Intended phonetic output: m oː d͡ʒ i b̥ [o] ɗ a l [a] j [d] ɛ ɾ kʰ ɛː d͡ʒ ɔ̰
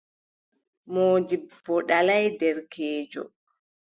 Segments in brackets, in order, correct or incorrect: incorrect: ɔ, correct, correct

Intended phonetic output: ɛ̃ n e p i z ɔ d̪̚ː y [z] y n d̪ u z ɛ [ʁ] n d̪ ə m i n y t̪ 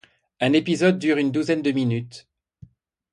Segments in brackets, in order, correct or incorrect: incorrect: ʁ, incorrect: none

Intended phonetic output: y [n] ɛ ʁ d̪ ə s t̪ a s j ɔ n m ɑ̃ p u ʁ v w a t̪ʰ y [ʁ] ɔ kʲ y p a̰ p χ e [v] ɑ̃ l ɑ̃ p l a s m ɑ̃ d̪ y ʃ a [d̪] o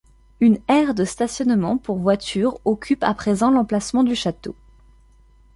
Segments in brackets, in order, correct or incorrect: correct, correct, incorrect: z, incorrect: t̪

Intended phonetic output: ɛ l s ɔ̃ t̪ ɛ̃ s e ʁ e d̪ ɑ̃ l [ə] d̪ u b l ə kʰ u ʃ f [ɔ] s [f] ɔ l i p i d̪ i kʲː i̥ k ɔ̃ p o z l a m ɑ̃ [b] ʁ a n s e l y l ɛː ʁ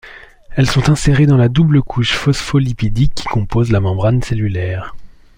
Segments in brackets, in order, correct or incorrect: incorrect: a, correct, correct, correct

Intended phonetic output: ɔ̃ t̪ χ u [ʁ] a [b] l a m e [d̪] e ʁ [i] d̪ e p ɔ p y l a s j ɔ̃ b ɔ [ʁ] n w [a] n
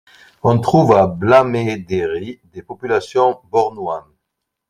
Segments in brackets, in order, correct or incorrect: incorrect: v, correct, correct, correct, correct, correct

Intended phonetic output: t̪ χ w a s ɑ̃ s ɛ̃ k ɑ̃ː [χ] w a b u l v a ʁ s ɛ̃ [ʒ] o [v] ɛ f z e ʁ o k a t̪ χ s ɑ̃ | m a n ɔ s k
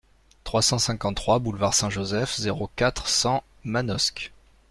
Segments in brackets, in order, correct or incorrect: correct, correct, incorrect: z

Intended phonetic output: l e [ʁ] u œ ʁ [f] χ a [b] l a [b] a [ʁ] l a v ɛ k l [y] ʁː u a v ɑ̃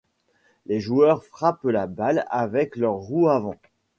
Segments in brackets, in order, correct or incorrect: incorrect: ʒ, correct, incorrect: p, correct, incorrect: none, incorrect: œ

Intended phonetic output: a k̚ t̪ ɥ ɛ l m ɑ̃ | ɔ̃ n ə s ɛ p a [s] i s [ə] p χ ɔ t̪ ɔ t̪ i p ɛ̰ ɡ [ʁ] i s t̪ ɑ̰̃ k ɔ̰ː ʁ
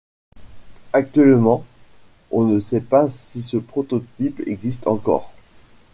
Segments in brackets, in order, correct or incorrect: correct, correct, incorrect: z

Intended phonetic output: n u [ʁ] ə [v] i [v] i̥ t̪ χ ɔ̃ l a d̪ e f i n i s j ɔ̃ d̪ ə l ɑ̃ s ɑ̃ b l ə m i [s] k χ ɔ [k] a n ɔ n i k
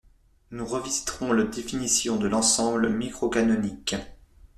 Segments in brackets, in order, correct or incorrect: correct, correct, incorrect: z, incorrect: none, correct

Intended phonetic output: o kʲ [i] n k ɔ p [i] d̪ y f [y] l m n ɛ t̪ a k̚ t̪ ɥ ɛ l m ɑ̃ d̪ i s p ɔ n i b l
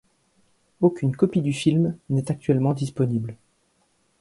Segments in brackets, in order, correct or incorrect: incorrect: y, correct, incorrect: i

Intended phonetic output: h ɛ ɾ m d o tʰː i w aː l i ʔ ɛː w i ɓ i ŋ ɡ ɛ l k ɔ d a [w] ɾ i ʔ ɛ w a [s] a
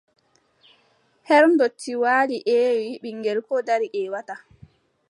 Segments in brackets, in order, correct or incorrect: incorrect: none, incorrect: t

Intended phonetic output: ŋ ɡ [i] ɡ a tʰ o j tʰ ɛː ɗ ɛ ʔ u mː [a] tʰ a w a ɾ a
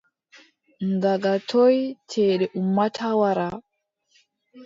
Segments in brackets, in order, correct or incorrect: incorrect: a, correct

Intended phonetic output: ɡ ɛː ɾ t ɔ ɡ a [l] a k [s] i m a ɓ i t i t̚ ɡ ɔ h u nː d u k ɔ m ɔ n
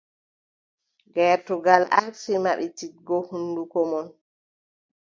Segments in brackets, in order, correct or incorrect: correct, correct

